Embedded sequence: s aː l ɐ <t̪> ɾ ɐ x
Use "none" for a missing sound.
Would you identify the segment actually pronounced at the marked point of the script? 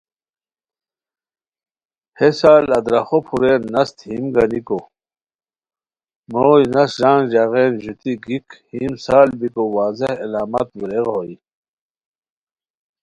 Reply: d̪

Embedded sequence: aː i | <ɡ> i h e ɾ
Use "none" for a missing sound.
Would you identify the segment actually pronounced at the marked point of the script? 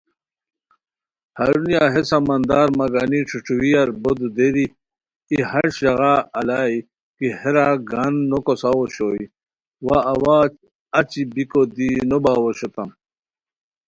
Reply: k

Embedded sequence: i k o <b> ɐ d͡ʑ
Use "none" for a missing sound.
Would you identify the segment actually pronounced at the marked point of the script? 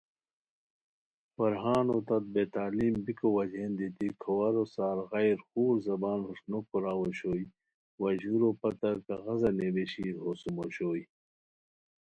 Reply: w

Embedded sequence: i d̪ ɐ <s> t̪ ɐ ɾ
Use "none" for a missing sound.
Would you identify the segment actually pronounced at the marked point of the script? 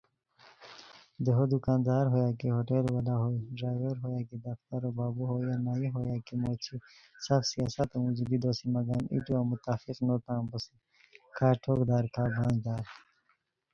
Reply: f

